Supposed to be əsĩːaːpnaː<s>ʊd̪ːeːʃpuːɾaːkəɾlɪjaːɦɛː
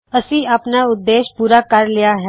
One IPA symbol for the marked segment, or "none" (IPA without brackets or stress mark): none